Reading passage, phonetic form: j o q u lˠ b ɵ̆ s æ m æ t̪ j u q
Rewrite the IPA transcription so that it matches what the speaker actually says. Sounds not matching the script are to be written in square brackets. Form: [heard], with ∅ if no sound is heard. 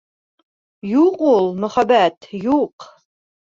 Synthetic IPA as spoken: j [u] q u lˠ [m] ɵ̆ [χ] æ [b] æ t̪ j u q